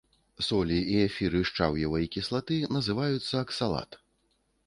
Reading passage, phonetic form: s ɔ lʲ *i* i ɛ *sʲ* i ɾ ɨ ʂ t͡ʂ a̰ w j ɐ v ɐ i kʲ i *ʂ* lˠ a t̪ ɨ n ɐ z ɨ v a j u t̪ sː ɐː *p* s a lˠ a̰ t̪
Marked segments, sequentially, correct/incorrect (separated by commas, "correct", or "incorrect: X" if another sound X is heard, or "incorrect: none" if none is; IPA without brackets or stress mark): correct, incorrect: fʲ, incorrect: s, incorrect: k